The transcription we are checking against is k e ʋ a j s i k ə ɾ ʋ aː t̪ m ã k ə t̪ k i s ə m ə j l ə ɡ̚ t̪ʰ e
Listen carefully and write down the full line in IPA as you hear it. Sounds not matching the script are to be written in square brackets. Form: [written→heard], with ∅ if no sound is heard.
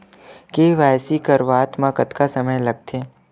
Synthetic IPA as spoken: k e ʋ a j s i k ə ɾ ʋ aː t̪ m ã k ə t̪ k [i→a] s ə m ə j l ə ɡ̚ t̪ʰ e